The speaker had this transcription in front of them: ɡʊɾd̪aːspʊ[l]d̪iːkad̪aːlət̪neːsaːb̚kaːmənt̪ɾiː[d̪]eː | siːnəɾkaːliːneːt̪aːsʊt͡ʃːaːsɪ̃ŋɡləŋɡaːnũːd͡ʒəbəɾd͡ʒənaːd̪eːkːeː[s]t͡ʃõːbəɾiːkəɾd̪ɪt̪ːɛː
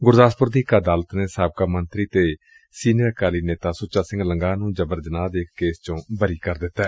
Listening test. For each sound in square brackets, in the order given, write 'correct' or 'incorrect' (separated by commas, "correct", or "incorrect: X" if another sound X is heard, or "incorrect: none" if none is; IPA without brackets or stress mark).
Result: incorrect: ɾ, incorrect: t̪, correct